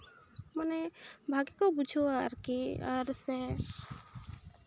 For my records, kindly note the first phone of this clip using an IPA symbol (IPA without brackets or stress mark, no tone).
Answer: m